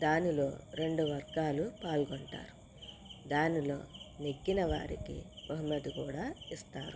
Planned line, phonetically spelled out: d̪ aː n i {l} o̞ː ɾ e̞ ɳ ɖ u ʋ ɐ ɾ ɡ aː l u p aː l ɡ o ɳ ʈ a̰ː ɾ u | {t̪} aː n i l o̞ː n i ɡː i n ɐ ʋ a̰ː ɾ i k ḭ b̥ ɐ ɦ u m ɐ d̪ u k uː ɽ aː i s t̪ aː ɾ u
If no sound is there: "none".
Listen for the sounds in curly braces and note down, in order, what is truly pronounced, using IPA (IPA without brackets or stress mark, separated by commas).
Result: l, d̪